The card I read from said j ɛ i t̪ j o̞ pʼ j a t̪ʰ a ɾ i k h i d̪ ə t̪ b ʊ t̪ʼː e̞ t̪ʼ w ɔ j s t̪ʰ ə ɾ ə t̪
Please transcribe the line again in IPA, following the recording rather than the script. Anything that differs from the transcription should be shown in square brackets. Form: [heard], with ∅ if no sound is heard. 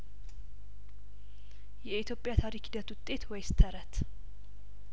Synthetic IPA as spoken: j ɛ i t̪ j o̞ pʼ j a t̪ʰ a ɾ i k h i d̪ ə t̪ [w] ʊ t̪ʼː e̞ [t̪] w ɔ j s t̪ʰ ə ɾ ə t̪